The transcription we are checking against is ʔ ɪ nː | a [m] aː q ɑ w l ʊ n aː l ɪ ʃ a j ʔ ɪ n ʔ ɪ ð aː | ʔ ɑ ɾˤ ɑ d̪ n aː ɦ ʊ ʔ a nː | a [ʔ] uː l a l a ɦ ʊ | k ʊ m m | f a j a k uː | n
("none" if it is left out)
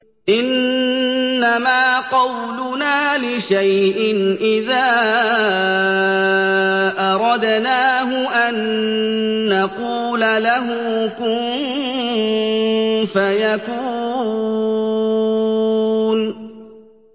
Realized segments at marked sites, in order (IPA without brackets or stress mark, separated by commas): m, q